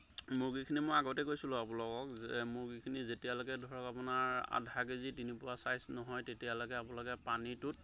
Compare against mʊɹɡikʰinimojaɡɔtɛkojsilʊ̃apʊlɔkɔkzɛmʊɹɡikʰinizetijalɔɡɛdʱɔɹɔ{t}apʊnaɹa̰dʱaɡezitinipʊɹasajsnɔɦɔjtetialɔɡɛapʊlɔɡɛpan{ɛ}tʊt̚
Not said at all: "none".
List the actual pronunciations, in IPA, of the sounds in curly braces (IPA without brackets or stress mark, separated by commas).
k, i